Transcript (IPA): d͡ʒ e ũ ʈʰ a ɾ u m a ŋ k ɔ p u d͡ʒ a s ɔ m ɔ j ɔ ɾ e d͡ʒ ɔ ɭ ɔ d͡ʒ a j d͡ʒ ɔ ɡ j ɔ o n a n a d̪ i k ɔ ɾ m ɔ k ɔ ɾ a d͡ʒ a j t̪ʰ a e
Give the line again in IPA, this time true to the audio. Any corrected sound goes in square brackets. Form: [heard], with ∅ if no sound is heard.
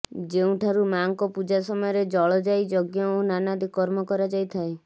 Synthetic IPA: d͡ʒ e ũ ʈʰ a ɾ u m a ŋ k ɔ p u d͡ʒ a s ɔ m ɔ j ɔ ɾ e d͡ʒ ɔ ɭ ɔ d͡ʒ a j d͡ʒ ɔ ɡ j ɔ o n a n a d̪ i k ɔ ɾ m ɔ k ɔ ɾ a d͡ʒ a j t̪ʰ a e